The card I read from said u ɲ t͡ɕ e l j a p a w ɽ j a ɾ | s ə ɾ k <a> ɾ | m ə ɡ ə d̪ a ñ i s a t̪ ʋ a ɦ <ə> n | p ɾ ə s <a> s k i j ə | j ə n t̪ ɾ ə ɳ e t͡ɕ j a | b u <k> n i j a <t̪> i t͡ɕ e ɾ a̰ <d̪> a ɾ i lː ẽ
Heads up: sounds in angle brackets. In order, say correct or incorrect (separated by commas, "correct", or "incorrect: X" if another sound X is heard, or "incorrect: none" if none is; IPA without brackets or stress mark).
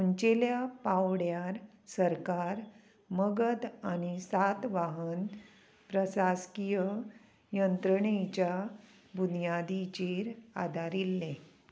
correct, correct, correct, incorrect: none, incorrect: d̪, correct